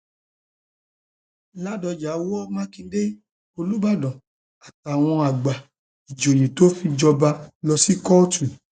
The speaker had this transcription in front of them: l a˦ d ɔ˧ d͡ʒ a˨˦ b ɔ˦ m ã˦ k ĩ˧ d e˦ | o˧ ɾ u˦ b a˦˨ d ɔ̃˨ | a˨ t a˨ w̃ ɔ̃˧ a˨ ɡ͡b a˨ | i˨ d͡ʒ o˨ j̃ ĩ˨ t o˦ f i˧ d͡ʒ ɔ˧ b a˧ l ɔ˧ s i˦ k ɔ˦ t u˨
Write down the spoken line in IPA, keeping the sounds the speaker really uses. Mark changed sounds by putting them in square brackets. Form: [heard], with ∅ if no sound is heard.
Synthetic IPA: l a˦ d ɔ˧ d͡ʒ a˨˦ [w] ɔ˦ m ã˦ k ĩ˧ d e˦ | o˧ [l] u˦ b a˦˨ d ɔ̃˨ | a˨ t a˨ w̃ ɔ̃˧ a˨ ɡ͡b a˨ | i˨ d͡ʒ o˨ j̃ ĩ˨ t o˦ f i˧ d͡ʒ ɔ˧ b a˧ l ɔ˧ s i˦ k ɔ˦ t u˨